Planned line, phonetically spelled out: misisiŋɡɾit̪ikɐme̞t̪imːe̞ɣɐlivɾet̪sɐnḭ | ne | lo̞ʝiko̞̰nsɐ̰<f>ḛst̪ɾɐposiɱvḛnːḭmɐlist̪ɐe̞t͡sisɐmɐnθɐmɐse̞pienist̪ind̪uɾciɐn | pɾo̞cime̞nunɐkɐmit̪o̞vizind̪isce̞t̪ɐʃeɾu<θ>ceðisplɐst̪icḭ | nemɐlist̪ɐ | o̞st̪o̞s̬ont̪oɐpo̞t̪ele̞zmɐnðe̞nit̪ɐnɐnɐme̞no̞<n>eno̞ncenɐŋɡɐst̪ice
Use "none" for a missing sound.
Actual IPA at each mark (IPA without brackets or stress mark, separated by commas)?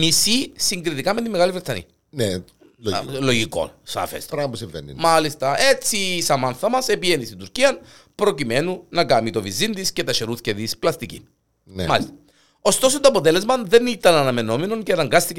f, θ, m